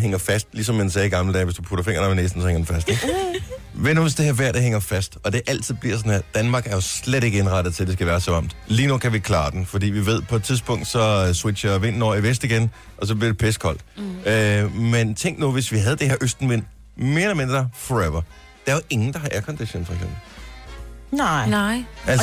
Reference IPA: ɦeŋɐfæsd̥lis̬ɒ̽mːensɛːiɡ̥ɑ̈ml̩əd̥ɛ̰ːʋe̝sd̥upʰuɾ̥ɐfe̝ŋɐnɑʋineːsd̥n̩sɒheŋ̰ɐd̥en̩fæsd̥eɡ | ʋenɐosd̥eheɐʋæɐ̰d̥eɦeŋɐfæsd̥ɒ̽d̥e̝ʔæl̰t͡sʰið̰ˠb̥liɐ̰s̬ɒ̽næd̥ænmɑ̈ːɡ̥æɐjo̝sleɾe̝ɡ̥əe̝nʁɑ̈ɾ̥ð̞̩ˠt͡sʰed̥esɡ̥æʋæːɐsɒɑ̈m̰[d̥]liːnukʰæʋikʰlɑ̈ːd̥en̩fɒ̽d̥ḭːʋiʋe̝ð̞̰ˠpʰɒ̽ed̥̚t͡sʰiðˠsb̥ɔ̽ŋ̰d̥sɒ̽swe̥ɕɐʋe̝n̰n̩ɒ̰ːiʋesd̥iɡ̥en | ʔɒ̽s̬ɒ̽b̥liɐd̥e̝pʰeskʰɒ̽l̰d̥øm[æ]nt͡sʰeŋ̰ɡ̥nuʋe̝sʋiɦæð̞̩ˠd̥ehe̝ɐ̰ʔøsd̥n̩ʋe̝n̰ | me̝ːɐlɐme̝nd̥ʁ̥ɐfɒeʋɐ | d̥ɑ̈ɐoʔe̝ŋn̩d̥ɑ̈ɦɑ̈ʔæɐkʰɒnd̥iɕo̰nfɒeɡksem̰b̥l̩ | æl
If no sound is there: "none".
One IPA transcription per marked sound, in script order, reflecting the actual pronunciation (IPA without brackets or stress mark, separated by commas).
d̥, e